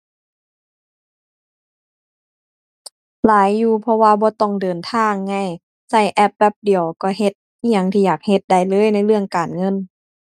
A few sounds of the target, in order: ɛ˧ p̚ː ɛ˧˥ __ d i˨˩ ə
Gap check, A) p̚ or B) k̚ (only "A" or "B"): A